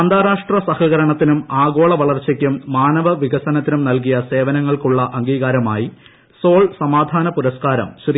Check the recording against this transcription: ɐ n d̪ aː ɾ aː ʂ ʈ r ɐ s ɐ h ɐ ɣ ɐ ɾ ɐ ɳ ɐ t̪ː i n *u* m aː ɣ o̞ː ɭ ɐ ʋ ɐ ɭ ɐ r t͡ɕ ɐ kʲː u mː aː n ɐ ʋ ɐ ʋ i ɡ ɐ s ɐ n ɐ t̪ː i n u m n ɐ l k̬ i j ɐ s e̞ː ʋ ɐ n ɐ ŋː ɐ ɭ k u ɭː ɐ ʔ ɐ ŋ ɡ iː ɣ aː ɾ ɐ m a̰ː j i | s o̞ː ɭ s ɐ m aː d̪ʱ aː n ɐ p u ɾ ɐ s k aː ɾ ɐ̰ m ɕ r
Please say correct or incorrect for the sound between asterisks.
correct